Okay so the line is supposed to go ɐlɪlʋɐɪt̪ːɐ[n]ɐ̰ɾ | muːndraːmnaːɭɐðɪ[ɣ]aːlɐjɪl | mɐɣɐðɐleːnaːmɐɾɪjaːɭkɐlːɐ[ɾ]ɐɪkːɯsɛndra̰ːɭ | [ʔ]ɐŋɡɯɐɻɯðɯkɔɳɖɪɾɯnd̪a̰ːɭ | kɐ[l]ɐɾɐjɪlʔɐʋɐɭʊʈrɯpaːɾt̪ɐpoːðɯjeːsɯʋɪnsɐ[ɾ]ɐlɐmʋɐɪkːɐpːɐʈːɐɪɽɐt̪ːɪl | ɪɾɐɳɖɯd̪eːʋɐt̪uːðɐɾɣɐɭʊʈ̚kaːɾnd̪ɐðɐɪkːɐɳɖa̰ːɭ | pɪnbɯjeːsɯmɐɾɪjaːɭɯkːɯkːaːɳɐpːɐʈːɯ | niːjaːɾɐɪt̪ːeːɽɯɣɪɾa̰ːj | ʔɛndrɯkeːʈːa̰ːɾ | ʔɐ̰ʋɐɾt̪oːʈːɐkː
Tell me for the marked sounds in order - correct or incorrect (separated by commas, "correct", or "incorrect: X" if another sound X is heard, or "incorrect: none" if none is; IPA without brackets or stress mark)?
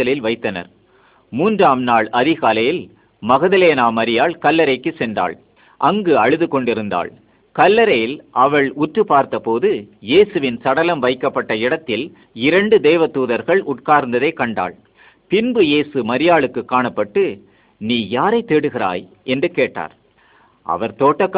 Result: correct, correct, correct, correct, incorrect: lː, incorrect: ɽ